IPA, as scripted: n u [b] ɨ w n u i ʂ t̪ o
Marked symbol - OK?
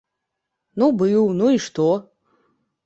yes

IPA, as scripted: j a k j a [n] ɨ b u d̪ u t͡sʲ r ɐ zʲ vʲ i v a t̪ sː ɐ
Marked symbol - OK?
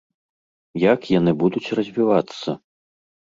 yes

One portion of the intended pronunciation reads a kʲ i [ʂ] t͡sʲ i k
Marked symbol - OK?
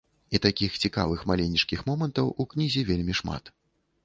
no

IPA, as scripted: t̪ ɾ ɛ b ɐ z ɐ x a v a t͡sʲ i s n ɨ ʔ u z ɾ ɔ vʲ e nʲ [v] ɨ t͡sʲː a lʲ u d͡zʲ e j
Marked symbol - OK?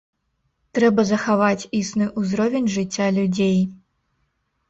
no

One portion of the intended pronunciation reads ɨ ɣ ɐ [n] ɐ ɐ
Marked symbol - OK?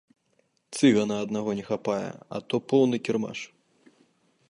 yes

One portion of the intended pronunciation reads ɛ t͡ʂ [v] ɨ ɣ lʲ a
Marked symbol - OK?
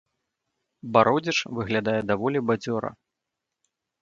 yes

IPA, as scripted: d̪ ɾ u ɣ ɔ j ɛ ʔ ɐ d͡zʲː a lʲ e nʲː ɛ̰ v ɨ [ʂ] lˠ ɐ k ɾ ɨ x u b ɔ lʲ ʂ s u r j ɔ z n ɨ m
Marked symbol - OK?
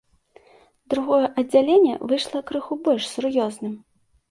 yes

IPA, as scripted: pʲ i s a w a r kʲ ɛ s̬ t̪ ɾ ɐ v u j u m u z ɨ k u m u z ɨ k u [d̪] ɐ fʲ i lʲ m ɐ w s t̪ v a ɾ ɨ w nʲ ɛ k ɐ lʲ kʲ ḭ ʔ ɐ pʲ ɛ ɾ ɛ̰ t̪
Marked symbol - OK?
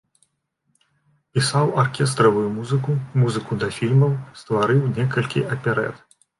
yes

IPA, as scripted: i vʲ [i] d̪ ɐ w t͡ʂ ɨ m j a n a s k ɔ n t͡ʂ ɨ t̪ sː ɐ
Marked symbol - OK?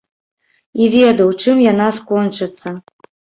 no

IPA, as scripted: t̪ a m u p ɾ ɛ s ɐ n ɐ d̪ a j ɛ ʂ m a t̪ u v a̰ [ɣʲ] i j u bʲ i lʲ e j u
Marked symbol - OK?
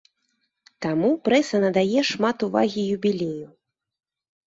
yes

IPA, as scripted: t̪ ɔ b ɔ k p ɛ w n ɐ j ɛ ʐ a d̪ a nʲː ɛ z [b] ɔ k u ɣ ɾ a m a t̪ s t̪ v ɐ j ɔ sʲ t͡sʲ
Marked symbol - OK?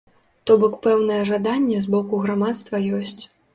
yes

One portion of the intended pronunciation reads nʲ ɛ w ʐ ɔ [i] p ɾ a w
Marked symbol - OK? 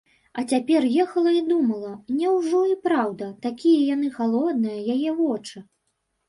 yes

